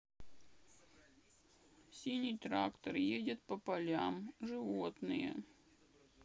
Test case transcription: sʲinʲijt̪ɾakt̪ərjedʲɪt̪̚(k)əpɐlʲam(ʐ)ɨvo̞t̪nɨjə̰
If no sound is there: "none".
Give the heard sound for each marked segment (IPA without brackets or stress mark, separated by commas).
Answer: p, ʐ